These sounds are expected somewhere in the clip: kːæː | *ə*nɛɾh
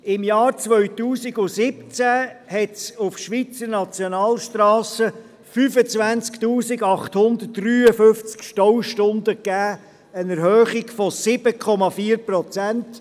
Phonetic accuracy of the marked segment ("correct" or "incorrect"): correct